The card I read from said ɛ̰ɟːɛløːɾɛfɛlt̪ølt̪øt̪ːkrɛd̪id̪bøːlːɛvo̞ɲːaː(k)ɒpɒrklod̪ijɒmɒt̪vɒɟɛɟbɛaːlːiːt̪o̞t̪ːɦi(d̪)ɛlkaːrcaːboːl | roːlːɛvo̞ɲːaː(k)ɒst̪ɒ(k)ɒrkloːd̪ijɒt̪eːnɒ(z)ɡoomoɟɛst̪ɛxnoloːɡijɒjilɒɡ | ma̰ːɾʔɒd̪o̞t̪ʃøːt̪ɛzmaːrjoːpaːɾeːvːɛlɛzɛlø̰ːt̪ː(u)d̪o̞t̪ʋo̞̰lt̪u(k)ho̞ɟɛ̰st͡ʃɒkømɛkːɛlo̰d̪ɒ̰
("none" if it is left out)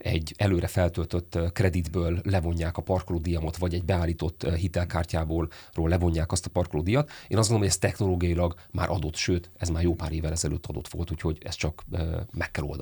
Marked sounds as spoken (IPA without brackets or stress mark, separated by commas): k, t̪, k, p, z, ɒ, c